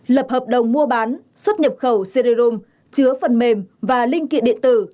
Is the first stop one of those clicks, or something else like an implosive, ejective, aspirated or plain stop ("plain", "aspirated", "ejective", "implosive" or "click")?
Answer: plain